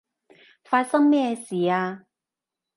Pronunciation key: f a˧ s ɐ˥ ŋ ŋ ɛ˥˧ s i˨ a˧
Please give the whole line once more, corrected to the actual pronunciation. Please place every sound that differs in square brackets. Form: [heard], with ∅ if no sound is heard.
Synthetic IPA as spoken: f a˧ s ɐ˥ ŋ [m] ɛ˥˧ s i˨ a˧